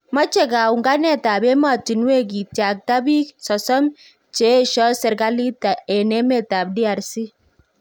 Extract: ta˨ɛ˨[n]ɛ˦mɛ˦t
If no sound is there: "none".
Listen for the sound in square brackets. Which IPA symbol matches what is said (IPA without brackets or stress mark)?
n